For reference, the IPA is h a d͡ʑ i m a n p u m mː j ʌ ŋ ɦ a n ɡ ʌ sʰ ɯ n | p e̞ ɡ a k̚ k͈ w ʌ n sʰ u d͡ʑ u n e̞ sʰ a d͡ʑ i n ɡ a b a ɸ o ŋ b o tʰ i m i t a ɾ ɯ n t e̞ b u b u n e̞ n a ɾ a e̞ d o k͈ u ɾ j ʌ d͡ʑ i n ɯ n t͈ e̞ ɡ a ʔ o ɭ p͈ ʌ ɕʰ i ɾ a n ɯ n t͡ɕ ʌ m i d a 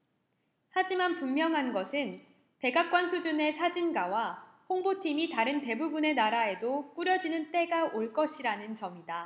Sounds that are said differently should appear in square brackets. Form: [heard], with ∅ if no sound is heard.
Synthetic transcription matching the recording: h a d͡ʑ i m a n p u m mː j ʌ ŋ ɦ a n ɡ ʌ sʰ ɯ n | p e̞ ɡ a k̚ k͈ w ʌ n sʰ u d͡ʑ u n e̞ sʰ a d͡ʑ i n ɡ a [w] a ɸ o ŋ b o tʰ i m i t a ɾ ɯ n t e̞ b u b u n e̞ n a ɾ a e̞ d o k͈ u ɾ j ʌ d͡ʑ i n ɯ n t͈ e̞ ɡ a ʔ o ɭ [k͈] ʌ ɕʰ i ɾ a n ɯ n t͡ɕ ʌ m i d a